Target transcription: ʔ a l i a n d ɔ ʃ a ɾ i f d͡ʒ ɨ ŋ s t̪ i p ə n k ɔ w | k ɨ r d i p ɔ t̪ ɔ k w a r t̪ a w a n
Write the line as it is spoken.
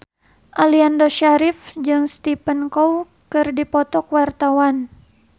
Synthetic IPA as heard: ʔ a l i a n d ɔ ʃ a ɾ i f d͡ʒ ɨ ŋ s t̪ i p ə n k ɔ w | k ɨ r d i p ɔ t̪ ɔ k w a r t̪ a w a n